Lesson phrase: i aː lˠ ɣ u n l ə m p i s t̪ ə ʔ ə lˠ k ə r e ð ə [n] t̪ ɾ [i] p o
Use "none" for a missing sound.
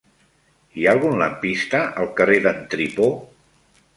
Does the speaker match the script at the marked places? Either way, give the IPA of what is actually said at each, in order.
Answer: n, i

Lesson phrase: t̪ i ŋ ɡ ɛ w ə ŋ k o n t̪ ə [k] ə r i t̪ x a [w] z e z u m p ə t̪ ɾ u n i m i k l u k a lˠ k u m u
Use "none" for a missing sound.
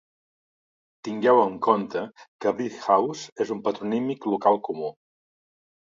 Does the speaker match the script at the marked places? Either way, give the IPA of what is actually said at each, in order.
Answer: k, w

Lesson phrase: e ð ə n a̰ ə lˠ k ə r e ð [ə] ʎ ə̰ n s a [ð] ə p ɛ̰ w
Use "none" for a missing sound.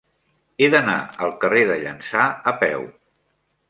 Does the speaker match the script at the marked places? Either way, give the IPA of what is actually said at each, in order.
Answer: ə, none

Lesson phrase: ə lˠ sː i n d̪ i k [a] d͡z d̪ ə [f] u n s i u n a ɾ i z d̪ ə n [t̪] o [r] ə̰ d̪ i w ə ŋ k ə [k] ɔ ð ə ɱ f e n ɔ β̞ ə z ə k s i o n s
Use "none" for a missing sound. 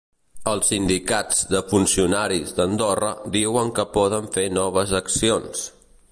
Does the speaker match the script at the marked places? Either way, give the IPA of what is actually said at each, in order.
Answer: a, f, d̪, r, p

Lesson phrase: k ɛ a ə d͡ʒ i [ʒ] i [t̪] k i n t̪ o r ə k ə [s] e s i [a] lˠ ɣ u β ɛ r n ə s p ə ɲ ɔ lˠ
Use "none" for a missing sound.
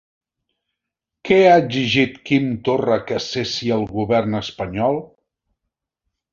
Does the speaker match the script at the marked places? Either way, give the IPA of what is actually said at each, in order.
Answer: ʒ, t̪, s, ə

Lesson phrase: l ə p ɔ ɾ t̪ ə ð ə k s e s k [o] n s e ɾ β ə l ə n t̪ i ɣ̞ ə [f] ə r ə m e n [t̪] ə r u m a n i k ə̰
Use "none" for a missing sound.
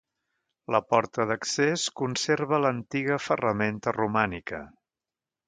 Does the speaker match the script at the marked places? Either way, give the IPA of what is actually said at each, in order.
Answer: u, f, t̪

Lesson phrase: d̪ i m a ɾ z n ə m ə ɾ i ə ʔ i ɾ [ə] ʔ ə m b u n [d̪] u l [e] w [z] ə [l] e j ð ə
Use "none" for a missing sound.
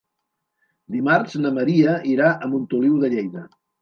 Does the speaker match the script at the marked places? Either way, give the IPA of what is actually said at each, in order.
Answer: a, t̪, i, ð, ʎ

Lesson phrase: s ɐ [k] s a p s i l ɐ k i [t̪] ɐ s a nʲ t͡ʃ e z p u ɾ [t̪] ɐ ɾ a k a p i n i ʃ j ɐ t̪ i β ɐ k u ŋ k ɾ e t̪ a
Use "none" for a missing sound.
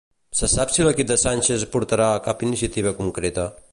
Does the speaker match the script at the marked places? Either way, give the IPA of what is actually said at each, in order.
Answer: none, d̪, t̪

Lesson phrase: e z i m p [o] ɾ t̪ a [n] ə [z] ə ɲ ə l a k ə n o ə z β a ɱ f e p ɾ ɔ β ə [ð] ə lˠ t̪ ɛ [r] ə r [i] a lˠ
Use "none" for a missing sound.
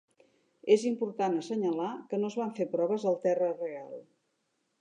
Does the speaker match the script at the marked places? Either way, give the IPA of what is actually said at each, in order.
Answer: u, n, s, z, r, e

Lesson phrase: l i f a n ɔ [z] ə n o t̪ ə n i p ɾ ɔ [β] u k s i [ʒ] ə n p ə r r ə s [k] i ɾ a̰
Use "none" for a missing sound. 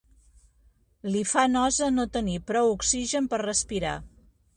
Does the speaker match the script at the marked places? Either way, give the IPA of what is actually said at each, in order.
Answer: z, w, ʒ, p

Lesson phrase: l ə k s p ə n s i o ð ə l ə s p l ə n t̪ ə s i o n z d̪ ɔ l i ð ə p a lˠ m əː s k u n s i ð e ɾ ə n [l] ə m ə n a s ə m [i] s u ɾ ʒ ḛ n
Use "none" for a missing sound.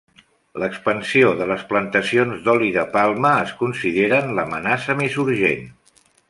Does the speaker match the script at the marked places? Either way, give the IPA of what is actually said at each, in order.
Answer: l, i

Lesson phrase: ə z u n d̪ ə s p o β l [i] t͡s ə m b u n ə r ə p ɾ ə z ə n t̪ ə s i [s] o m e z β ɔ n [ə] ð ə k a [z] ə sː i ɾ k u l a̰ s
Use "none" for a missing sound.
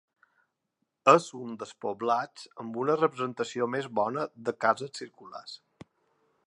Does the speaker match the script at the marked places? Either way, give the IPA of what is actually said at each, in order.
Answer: a, none, ə, z

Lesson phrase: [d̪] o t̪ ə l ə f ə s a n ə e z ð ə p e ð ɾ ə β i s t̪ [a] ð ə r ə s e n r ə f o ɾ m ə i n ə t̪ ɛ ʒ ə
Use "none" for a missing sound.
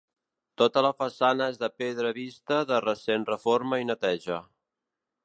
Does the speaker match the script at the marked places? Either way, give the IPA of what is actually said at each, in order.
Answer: t̪, ə

